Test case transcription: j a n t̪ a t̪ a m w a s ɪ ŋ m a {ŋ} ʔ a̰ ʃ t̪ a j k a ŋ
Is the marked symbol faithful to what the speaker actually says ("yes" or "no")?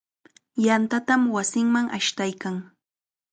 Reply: yes